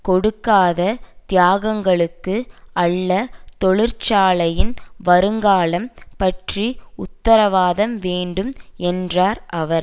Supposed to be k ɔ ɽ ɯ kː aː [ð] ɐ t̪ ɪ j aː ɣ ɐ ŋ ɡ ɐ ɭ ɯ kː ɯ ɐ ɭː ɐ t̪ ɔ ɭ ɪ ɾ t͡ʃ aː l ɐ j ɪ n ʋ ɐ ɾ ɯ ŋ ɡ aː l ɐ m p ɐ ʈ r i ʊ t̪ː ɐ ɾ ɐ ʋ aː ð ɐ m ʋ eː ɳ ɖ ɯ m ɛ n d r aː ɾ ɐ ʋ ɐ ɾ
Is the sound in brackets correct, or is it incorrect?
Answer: correct